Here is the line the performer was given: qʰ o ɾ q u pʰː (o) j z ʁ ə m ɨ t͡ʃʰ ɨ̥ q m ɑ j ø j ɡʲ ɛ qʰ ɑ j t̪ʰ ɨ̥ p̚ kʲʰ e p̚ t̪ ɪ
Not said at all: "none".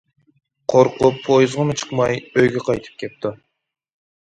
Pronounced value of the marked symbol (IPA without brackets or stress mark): o